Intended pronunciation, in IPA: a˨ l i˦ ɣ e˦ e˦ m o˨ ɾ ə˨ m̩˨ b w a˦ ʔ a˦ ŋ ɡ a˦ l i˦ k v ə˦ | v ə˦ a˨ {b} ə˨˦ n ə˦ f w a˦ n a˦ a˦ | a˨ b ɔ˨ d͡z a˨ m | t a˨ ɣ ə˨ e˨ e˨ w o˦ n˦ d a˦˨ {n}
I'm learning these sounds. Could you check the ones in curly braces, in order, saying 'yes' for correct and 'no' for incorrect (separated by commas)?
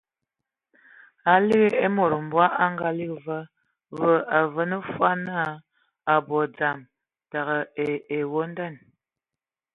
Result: no, yes